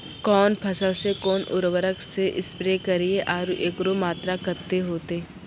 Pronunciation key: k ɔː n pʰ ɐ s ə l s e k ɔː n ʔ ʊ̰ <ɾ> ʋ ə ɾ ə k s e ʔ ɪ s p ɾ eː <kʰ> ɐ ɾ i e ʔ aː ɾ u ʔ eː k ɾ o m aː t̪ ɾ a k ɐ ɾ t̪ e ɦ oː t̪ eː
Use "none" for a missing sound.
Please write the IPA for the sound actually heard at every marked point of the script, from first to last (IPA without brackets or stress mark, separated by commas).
ɾ, k